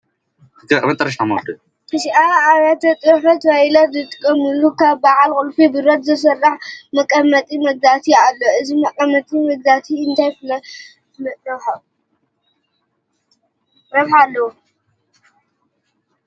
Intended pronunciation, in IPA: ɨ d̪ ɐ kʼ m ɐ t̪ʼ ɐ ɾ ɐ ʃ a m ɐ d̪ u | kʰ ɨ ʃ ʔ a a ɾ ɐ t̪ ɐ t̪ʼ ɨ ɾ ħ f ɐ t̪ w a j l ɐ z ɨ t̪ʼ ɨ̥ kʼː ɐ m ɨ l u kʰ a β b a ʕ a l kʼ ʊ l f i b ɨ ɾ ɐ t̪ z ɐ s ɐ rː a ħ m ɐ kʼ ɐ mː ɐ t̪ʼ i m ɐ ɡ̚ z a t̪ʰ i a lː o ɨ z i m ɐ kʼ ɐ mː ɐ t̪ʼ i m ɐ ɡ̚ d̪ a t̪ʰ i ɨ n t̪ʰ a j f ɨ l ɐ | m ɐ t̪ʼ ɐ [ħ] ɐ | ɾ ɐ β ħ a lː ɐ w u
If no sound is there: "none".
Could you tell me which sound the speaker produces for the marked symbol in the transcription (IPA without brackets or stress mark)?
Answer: ħ